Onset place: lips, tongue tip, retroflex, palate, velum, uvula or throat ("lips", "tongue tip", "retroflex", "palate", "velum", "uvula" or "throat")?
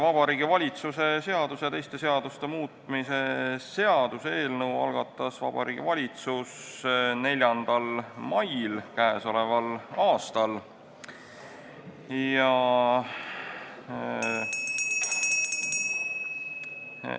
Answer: lips